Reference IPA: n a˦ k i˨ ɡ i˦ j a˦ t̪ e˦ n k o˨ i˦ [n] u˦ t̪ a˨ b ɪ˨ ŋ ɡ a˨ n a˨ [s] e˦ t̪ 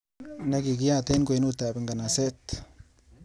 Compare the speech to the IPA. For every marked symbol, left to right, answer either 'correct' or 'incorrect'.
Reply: correct, correct

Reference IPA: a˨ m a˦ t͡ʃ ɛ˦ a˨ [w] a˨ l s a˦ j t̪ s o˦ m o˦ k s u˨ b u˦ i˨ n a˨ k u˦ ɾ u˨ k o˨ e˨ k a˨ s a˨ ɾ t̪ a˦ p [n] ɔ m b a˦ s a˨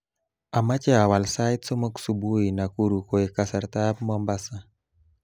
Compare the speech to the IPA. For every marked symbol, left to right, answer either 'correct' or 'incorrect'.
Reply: correct, incorrect

